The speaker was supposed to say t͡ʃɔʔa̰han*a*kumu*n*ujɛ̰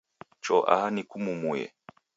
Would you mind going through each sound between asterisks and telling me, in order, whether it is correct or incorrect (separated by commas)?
incorrect, incorrect